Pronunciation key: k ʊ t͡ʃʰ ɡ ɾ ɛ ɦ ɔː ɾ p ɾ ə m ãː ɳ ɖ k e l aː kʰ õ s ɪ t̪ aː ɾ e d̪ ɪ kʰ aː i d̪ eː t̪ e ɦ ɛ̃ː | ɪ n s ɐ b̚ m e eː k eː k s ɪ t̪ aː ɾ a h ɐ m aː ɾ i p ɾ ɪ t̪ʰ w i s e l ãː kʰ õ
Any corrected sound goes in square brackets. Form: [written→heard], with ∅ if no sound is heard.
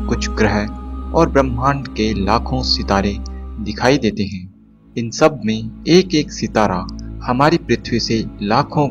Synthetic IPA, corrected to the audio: k ʊ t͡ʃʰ ɡ ɾ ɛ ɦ ɔː ɾ [p→b] ɾ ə m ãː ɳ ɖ k e l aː kʰ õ s ɪ t̪ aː ɾ e d̪ ɪ kʰ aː i d̪ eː t̪ e ɦ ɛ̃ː | ɪ n s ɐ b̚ m [e→ẽ] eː k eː k s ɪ t̪ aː ɾ a h ɐ m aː ɾ i p ɾ ɪ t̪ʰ w i s e l [ãː→aː] kʰ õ